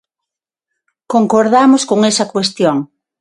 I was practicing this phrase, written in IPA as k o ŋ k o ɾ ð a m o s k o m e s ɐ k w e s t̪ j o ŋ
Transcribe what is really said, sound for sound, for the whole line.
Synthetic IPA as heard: k o ŋ k o ɾ ð a m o s k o ŋ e s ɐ k w e s t̪ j o ŋ